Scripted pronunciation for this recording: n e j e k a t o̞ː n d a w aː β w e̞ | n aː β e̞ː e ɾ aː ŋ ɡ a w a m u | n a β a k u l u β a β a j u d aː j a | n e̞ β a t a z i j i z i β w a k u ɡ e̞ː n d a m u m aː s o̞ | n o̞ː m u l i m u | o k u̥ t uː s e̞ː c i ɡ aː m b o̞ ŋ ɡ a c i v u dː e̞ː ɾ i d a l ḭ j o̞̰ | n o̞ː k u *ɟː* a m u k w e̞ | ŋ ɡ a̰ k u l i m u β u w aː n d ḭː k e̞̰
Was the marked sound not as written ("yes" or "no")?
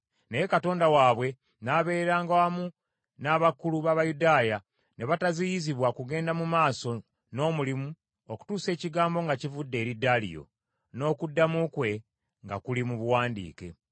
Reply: yes